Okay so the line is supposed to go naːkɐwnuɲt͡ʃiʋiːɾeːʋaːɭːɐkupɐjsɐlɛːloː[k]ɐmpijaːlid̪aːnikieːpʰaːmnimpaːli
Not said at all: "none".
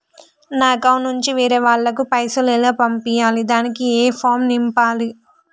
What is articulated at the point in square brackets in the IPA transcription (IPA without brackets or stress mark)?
p